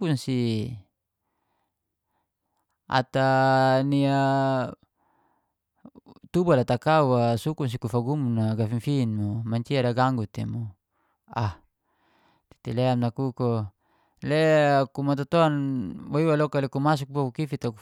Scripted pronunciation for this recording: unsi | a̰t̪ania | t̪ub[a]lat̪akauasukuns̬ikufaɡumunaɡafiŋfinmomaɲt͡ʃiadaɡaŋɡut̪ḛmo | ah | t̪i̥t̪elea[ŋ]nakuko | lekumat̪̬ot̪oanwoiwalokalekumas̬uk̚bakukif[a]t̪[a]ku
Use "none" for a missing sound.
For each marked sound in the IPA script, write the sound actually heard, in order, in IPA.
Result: a, m, i, a

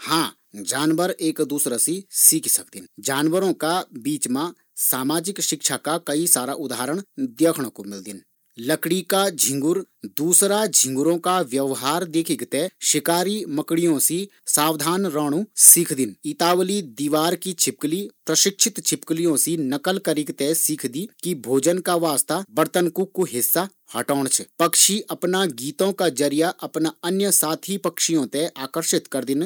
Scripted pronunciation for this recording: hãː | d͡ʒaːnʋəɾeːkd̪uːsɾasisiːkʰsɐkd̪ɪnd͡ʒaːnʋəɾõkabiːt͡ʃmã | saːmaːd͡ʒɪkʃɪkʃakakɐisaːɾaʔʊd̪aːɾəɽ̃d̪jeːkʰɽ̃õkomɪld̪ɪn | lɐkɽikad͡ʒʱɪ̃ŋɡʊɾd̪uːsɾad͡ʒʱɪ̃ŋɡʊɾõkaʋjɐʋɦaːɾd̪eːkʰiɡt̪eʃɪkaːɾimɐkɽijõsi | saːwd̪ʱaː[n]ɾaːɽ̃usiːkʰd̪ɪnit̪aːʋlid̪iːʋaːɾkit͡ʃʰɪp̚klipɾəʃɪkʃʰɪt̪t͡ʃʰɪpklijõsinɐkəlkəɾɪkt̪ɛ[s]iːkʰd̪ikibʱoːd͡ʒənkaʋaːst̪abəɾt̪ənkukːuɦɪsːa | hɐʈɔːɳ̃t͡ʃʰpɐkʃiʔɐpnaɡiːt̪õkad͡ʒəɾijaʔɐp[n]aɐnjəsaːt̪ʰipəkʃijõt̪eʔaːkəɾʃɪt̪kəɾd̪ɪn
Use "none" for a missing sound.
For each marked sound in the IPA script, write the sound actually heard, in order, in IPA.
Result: n, s, n

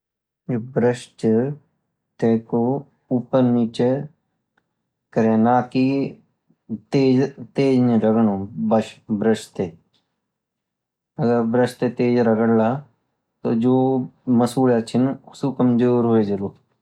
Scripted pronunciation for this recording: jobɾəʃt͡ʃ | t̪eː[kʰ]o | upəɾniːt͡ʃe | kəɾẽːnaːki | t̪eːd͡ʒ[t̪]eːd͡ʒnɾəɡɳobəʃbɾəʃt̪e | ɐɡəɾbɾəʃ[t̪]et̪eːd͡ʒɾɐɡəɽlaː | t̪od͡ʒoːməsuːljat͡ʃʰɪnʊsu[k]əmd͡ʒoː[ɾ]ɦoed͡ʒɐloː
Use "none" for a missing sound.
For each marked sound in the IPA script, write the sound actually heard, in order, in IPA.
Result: k, t̪, t̪, k, ɾ

